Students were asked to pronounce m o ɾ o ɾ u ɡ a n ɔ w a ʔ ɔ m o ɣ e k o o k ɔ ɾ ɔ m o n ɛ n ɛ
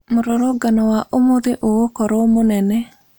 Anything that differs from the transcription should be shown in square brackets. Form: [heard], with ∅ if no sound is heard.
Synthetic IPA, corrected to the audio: m o ɾ o ɾ [o] ɡ a n ɔ w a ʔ [o] m o [ð] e [ʔ] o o k ɔ ɾ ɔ m o n ɛ n ɛ